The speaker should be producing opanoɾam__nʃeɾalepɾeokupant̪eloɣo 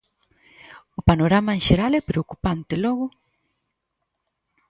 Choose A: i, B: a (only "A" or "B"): B